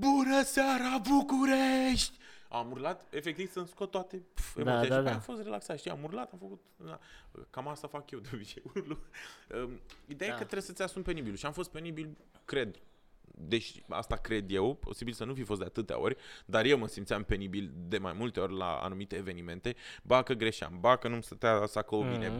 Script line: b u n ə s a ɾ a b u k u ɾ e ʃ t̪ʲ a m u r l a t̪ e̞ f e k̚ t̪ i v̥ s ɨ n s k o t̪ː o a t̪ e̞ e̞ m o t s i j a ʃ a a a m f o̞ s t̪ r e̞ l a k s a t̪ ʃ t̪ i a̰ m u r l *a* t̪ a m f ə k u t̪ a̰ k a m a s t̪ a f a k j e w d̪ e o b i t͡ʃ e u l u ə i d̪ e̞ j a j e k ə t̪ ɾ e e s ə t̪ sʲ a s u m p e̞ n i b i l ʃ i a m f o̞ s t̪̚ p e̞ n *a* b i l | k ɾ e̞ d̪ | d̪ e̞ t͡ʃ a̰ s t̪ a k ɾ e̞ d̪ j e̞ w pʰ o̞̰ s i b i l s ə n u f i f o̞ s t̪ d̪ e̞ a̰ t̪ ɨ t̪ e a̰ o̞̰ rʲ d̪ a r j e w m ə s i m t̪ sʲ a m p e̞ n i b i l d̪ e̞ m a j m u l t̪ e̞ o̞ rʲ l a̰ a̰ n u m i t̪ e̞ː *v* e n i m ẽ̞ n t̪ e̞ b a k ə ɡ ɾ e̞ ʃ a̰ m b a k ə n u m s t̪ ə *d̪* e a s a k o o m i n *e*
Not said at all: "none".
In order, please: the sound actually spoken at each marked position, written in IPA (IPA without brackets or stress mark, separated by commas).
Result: a, i, v, t̪, e